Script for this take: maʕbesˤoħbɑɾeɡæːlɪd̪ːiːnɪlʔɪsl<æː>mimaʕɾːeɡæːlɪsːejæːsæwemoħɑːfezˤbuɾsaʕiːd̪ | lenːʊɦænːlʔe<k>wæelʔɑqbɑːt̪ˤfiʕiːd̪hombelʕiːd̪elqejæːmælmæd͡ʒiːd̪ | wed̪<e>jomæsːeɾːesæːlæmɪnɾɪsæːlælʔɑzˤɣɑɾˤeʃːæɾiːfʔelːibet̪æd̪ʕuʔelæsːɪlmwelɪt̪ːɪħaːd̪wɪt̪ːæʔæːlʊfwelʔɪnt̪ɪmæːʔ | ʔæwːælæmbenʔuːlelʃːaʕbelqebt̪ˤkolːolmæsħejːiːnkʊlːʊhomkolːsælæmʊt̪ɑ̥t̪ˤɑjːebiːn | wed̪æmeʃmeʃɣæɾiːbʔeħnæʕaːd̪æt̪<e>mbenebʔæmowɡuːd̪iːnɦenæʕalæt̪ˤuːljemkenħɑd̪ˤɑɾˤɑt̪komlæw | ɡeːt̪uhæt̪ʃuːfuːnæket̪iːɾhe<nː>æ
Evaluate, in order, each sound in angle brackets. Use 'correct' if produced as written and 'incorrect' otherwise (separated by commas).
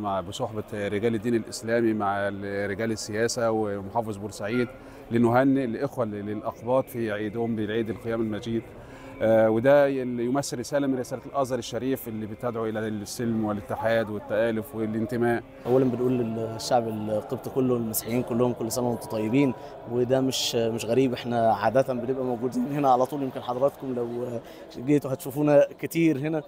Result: correct, incorrect, incorrect, incorrect, incorrect